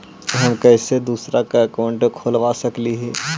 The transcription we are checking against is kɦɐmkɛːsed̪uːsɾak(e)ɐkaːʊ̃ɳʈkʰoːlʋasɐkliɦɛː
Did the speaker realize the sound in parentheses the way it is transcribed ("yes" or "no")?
no